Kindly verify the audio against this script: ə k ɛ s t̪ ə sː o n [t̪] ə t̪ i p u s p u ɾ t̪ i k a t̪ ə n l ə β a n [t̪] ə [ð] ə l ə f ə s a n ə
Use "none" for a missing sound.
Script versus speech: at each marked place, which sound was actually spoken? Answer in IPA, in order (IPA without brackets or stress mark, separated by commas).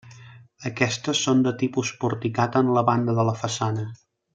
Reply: d̪, d̪, ð